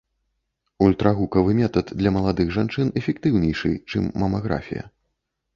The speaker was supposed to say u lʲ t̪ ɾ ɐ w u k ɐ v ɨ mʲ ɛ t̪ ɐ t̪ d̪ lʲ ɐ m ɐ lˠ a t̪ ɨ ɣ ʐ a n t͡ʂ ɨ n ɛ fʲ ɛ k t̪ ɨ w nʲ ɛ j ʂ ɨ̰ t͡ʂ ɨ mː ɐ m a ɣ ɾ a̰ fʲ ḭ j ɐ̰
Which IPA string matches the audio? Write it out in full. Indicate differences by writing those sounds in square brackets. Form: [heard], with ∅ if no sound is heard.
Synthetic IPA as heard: u lʲ t̪ ɾ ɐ [ɣ] u k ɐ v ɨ mʲ ɛ t̪ ɐ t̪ d̪ lʲ ɐ m ɐ lˠ a [d̪] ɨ ɣ ʐ a n t͡ʂ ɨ n ɛ fʲ ɛ k t̪ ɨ w nʲ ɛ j ʂ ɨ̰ t͡ʂ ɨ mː ɐ m a ɣ ɾ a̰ fʲ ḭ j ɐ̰

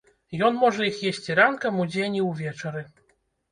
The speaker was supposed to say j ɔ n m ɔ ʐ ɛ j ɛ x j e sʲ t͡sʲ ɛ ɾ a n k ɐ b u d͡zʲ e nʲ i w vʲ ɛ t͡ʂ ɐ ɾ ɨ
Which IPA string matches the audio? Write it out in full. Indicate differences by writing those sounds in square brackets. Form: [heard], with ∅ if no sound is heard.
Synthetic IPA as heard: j ɔ n m ɔ ʐ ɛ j [i] x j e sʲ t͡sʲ [i] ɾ a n k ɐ [m] u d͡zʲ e nʲ i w vʲ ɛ t͡ʂ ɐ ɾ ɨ

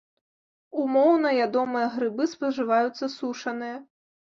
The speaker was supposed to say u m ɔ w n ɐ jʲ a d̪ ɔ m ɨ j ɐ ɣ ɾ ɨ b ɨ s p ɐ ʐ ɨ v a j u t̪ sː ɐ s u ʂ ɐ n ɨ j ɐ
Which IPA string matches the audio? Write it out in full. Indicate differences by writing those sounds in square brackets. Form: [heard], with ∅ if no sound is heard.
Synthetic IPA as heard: u m ɔ w n ɐ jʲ a d̪ ɔ m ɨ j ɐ ɣ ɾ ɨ b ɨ s p ɐ ʐ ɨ v a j u t̪ sː ɐ s u ʂ ɐ n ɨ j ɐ

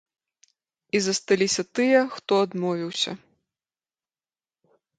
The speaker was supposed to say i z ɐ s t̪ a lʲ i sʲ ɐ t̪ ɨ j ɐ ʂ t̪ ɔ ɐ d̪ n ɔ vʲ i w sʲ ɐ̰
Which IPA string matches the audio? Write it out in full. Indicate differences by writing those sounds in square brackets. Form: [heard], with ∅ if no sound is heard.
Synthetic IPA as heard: i z ɐ s t̪ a lʲ i sʲ ɐ t̪ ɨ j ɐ [x] t̪ ɔ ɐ d̪ [m] ɔ vʲ i w sʲ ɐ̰

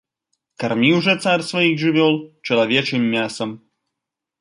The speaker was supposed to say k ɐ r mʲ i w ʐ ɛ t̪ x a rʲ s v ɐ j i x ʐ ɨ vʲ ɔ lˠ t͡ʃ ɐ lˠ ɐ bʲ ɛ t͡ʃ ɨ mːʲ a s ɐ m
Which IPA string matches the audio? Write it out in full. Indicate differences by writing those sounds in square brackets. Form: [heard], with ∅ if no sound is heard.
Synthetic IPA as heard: k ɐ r mʲ i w ʐ ɛ t̪ [s] a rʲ s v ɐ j i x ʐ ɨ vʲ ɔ lˠ t͡ʃ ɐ lˠ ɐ [vʲ] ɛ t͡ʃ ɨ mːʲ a s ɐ m

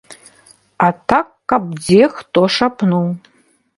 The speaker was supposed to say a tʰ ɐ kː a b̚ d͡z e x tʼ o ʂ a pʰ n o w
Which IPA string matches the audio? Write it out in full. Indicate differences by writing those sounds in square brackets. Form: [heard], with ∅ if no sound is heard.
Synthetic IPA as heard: a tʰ [a] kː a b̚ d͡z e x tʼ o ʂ a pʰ n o w

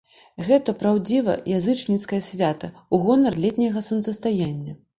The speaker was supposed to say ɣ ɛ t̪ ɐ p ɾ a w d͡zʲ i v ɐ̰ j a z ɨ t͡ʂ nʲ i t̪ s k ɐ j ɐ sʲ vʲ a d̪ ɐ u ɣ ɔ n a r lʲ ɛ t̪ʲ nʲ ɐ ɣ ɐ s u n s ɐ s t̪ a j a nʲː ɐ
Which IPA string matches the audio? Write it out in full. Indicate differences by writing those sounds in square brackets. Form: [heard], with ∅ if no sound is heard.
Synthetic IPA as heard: ɣ ɛ t̪ ɐ p ɾ a w d͡zʲ i v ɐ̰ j a z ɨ t͡ʂ nʲ i t̪ s k ɐ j ɐ sʲ vʲ a [t̪] ɐ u ɣ ɔ n [ɐ] r lʲ ɛ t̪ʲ nʲ ɐ ɣ ɐ s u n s ɐ s t̪ a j a nʲː ɐ

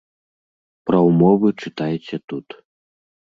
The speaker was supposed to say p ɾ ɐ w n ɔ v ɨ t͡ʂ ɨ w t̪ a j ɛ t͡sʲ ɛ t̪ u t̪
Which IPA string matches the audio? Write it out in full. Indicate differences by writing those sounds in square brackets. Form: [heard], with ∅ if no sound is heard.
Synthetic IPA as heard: p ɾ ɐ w [m] ɔ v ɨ t͡ʂ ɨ [∅] t̪ a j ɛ t͡sʲ ɛ t̪ u t̪

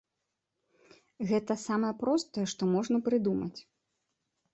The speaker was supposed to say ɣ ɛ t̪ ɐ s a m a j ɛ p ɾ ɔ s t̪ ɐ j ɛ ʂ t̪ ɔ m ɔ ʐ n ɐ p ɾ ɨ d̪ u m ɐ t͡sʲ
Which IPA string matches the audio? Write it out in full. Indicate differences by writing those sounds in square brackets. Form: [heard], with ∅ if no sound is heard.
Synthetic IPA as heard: ɣ ɛ t̪ ɐ s a m [ɐ] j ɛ p ɾ ɔ s t̪ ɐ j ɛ ʂ t̪ ɔ m ɔ ʐ n ɐ p ɾ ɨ d̪ u m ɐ t͡sʲ

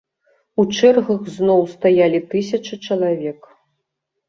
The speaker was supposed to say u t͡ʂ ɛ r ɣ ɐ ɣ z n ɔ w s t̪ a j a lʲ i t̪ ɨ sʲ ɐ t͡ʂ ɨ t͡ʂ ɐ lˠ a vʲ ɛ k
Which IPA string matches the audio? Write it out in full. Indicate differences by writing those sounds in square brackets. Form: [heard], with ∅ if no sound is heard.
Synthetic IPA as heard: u t͡ʂ ɛ r ɣ ɐ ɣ z n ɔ w s t̪ a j a lʲ i t̪ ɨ sʲ ɐ t͡ʂ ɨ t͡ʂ ɐ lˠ a vʲ ɛ k

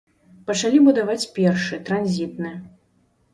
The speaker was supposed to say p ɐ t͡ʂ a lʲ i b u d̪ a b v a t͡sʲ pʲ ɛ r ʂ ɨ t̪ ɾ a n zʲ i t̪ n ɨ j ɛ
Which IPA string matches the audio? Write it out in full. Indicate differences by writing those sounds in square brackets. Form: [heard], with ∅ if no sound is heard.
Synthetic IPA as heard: p ɐ t͡ʂ a lʲ i b u d̪ a [∅] v a t͡sʲ pʲ ɛ r ʂ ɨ t̪ ɾ a n zʲ i t̪ n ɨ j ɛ

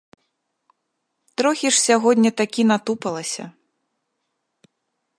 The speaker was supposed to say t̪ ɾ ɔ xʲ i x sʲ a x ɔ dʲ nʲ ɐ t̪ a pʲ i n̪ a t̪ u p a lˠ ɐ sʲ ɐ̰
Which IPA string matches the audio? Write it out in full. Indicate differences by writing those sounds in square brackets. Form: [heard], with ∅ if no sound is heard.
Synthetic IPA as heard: t̪ ɾ ɔ xʲ i [ʂ] sʲ a [ɣ] ɔ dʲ nʲ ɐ t̪ a [kʲ] i n̪ a t̪ u p [ɐ] lˠ ɐ sʲ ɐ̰

